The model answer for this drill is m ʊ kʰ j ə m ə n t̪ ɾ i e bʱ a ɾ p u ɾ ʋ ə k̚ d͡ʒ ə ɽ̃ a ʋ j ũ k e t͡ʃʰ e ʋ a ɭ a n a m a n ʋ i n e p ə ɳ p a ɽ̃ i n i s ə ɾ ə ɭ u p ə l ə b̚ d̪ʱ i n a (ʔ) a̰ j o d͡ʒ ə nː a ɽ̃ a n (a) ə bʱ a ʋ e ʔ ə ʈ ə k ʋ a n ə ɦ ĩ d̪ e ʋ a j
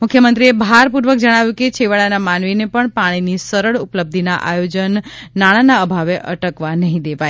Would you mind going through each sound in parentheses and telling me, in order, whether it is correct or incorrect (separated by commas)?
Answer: correct, correct